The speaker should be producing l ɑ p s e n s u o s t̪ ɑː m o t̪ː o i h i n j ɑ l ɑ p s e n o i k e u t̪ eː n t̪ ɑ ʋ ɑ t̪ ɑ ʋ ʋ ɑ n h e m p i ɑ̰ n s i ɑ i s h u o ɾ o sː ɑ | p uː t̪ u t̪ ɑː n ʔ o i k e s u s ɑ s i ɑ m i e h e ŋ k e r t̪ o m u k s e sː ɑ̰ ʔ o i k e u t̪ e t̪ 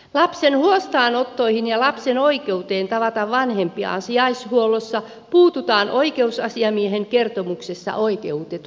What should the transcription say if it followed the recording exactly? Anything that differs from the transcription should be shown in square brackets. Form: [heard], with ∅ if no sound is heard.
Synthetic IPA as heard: l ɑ p s e n [h] u o s t̪ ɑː [n] o t̪ː o i h i n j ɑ l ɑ p s e n o i k e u t̪ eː n t̪ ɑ ʋ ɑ t̪ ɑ ʋ ʋ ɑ n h e m p i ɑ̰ n s i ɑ i s h u o [l] o sː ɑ | p uː t̪ u t̪ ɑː n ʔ o i k e [∅] u s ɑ s i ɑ m i e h e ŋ k e r t̪ o m u k s e sː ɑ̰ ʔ o i k e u t̪ e t̪